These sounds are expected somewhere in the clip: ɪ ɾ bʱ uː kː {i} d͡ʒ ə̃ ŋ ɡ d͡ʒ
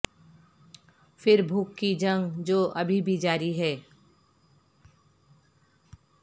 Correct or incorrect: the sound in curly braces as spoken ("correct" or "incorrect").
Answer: correct